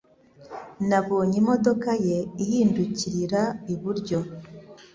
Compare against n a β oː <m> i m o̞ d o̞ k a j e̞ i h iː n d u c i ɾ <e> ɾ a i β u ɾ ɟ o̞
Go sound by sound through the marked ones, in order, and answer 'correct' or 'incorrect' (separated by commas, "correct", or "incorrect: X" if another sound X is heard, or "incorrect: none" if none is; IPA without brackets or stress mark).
incorrect: ɲ, incorrect: i